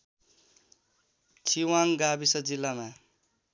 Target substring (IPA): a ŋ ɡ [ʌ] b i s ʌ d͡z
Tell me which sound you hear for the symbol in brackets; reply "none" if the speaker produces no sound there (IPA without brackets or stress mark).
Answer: a